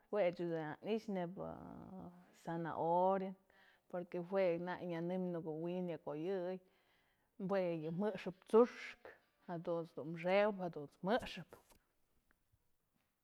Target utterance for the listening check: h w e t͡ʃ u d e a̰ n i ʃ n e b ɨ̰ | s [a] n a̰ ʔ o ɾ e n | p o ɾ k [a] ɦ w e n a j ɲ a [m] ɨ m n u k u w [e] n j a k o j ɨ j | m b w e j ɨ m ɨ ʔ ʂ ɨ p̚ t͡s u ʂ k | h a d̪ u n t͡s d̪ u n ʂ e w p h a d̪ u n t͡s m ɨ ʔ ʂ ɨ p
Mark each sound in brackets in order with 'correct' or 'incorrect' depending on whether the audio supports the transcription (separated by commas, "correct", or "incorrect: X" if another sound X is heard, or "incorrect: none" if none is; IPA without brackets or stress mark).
correct, incorrect: e, incorrect: n, incorrect: i